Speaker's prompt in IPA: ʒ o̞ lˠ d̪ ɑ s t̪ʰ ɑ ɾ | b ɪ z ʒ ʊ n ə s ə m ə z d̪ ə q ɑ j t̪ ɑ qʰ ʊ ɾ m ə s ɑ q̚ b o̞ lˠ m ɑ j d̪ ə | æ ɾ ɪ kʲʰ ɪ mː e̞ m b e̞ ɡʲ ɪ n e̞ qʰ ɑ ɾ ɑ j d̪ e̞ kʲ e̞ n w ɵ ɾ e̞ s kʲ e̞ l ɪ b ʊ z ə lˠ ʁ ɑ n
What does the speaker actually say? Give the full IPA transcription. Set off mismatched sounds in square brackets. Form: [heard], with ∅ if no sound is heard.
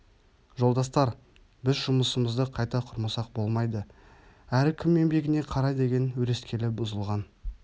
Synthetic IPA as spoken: ʒ o̞ lˠ d̪ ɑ s [t̪] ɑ ɾ | b ɪ z ʒ ʊ [m] ə s ə m ə z d̪ ə [qʰ] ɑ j t̪ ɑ qʰ ʊ ɾ m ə s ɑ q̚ b o̞ lˠ m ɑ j d̪ ə | æ ɾ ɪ kʲʰ ɪ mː e̞ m b e̞ ɡʲ ɪ n e̞ qʰ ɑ ɾ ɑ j d̪ e̞ [ɡʲ] e̞ n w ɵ ɾ e̞ s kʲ e̞ l ɪ b ʊ z ə lˠ ʁ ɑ n

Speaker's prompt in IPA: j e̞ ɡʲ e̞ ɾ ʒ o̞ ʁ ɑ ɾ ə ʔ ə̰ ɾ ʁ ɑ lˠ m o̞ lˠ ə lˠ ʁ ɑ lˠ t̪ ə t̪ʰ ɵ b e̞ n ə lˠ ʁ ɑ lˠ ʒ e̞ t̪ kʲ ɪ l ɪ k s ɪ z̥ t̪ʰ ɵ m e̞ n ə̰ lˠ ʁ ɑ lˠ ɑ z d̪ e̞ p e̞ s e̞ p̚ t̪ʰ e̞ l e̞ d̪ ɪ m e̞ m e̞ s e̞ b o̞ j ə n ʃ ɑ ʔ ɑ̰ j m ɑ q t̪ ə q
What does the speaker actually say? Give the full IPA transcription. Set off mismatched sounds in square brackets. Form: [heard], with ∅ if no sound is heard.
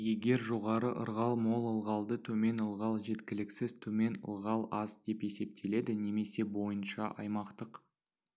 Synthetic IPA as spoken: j e̞ ɡʲ e̞ ɾ ʒ o̞ ʁ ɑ ɾ ə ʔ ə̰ ɾ ʁ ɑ lˠ m o̞ lˠ ə lˠ ʁ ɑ lˠ [d̪] ə t̪ʰ ɵ [m] e̞ n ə lˠ ʁ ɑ lˠ ʒ e̞ t̪ kʲ ɪ l ɪ k s ɪ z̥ t̪ʰ ɵ m e̞ n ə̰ lˠ ʁ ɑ lˠ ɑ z d̪ e̞ p e̞ s e̞ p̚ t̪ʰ e̞ l e̞ d̪ ɪ [n] e̞ m e̞ s e̞ b o̞ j ə n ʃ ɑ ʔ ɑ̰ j m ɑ q t̪ ə q

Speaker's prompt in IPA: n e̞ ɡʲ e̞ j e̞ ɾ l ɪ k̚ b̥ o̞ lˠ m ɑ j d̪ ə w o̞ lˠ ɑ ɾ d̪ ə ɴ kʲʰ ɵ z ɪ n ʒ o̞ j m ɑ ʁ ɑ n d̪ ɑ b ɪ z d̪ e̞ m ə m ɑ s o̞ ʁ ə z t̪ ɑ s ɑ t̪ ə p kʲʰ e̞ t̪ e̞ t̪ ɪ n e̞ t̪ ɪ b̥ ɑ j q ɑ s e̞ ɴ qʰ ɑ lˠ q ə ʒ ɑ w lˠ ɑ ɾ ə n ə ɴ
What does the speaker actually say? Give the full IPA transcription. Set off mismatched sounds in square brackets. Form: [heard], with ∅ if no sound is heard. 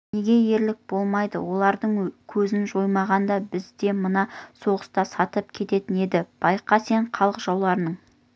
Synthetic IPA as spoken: n e̞ ɡʲ e̞ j e̞ ɾ l ɪ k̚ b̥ o̞ lˠ m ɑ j d̪ ə w o̞ lˠ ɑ ɾ d̪ ə ɴ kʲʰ ɵ z ɪ n ʒ o̞ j m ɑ ʁ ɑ n d̪ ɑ b ɪ z d̪ e̞ m ə [n] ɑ s o̞ ʁ ə [s] t̪ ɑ s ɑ t̪ ə p kʲʰ e̞ t̪ e̞ t̪ ɪ n e̞ [d̪] ɪ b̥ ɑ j q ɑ s e̞ ɴ qʰ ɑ lˠ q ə ʒ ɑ w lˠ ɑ ɾ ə n ə ɴ

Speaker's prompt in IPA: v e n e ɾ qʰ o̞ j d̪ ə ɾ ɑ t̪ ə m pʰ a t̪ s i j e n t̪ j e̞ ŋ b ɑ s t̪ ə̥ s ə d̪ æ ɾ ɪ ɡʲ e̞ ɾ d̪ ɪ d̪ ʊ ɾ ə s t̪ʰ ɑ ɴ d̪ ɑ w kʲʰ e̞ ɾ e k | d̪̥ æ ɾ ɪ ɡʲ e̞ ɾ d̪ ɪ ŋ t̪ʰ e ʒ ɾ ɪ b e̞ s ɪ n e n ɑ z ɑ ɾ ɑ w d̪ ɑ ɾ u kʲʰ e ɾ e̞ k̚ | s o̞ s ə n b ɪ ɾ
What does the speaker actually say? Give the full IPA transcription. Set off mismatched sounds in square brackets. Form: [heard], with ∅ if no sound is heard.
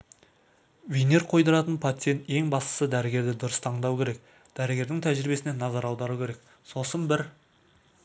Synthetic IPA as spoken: v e n e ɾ qʰ o̞ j d̪ ə ɾ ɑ t̪ ə [n] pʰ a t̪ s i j e n t̪ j e̞ ŋ b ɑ s t̪ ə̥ s ə d̪ æ ɾ ɪ ɡʲ e̞ ɾ d̪ ɪ d̪ ʊ ɾ ə s t̪ʰ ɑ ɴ d̪ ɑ w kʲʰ e̞ ɾ e k | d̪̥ æ ɾ ɪ ɡʲ e̞ ɾ d̪ ɪ ŋ t̪ʰ [æ] ʒ ɾ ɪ b e̞ s ɪ n e n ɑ z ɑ ɾ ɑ w d̪ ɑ ɾ u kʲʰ e ɾ e̞ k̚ | s o̞ s ə n b ɪ ɾ

